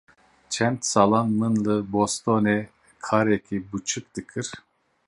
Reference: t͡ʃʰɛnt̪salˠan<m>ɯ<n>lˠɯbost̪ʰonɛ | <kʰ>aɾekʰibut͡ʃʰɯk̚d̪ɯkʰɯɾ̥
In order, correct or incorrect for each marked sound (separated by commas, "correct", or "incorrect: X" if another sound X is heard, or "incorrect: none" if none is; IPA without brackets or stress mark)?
correct, correct, correct